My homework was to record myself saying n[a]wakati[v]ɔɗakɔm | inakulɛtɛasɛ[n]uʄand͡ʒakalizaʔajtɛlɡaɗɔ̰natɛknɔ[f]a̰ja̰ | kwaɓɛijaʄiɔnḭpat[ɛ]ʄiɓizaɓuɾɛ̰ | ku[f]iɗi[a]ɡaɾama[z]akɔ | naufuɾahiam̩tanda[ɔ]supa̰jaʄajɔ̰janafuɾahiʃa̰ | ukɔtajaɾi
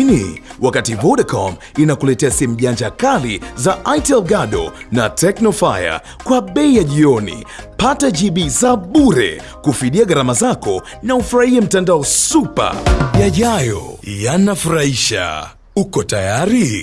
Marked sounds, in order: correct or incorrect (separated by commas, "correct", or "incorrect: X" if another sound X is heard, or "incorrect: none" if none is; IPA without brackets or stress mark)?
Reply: incorrect: i, correct, incorrect: m, correct, incorrect: a, correct, correct, correct, correct